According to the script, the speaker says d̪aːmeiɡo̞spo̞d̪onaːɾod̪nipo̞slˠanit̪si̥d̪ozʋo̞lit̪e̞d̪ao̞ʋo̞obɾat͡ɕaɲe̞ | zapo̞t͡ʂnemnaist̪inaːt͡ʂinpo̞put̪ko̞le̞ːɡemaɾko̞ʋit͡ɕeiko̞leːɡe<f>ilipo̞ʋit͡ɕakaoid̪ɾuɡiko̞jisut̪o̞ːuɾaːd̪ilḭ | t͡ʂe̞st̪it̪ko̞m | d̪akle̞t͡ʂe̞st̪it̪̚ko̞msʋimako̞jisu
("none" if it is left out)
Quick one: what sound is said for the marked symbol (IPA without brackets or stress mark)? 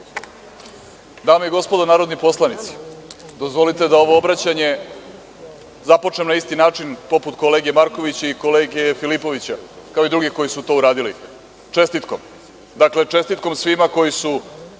f